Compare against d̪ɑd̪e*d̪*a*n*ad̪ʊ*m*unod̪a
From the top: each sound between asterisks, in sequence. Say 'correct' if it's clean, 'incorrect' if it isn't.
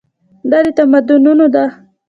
incorrect, incorrect, incorrect

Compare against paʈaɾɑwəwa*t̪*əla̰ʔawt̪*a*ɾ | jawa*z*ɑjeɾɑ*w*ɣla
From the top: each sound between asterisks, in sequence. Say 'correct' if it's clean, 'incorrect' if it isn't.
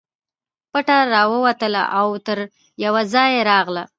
correct, incorrect, correct, incorrect

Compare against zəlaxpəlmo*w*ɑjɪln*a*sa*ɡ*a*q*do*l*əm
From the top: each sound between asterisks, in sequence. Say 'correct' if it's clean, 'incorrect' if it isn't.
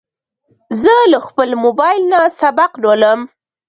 incorrect, correct, incorrect, correct, correct

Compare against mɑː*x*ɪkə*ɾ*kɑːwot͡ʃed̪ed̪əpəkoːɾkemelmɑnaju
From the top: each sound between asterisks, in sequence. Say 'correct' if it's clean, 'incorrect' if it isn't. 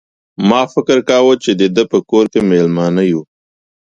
incorrect, correct

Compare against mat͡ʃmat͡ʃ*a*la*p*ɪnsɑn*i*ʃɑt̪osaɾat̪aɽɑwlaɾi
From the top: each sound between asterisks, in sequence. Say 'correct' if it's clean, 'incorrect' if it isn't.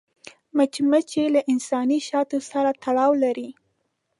incorrect, incorrect, correct

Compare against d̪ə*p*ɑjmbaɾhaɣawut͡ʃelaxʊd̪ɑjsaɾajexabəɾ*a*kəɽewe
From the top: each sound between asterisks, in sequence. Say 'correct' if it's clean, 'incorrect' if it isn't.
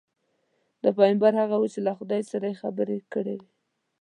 correct, incorrect

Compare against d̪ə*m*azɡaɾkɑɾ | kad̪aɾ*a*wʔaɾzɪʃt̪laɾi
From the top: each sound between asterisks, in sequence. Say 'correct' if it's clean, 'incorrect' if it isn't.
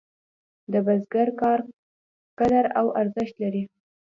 incorrect, correct

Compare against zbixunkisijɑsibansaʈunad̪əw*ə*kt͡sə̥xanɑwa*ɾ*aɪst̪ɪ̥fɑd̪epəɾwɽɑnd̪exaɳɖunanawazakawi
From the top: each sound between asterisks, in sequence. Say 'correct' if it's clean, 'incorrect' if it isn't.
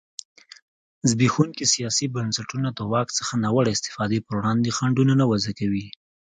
incorrect, incorrect

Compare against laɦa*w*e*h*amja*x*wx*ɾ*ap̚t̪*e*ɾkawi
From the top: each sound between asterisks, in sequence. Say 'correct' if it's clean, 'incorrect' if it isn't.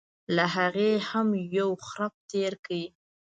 incorrect, correct, incorrect, correct, correct

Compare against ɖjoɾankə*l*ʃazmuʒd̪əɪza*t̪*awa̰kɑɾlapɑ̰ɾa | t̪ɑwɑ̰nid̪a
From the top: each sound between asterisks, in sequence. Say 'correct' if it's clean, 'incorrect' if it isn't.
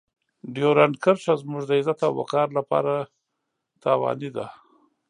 incorrect, correct

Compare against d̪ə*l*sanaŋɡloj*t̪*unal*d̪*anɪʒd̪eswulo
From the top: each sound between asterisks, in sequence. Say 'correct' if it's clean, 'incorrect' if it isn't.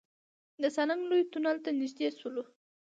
incorrect, correct, incorrect

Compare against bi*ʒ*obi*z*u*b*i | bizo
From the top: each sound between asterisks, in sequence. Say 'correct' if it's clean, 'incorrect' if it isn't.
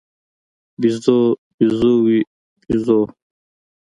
incorrect, correct, incorrect

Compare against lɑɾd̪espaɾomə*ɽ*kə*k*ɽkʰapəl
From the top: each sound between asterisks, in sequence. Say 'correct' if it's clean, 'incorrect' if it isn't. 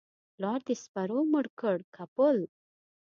correct, incorrect

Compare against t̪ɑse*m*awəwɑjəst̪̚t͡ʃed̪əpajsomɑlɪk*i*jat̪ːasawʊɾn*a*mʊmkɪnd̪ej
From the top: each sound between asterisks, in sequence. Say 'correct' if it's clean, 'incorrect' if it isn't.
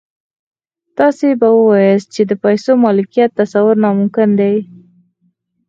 incorrect, correct, incorrect

